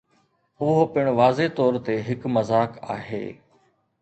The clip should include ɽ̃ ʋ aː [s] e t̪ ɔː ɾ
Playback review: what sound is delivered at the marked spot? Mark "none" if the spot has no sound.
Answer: z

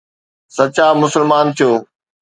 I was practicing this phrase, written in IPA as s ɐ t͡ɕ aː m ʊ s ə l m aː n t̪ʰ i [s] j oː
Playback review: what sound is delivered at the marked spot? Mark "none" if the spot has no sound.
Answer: none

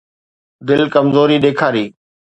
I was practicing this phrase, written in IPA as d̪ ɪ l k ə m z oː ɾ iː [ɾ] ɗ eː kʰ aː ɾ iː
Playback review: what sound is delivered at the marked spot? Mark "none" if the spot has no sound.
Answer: none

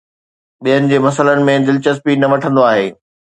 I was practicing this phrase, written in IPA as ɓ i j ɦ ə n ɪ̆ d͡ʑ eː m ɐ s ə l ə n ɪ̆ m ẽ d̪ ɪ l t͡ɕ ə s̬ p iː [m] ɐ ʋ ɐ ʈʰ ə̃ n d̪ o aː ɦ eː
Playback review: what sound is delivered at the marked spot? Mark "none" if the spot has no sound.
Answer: n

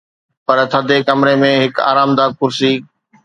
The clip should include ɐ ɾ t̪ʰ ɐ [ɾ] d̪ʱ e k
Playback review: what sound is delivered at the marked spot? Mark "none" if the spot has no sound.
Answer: none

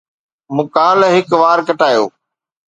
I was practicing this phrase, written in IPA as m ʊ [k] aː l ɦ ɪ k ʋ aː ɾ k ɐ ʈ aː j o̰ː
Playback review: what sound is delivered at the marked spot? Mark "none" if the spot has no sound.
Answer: k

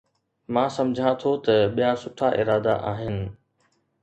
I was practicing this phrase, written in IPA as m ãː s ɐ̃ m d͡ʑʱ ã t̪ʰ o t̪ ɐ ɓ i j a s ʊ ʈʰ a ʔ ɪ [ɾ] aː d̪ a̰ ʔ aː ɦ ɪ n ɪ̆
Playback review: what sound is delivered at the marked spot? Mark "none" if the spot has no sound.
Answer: ɾ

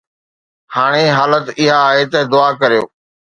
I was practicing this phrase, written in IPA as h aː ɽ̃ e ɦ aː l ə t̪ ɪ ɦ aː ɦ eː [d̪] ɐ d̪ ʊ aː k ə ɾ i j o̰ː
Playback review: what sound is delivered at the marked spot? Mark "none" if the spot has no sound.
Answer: t̪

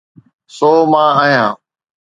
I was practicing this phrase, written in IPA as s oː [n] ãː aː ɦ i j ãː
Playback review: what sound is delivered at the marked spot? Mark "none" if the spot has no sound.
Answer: m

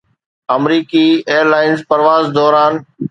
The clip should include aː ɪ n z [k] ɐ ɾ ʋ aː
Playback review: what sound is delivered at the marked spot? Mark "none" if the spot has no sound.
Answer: p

